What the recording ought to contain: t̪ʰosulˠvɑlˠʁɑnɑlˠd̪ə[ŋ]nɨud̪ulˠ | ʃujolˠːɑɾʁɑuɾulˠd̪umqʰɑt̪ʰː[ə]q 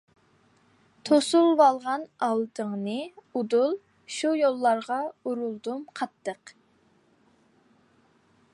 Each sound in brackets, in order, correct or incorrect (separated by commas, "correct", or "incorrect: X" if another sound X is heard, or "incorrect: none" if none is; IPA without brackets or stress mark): correct, correct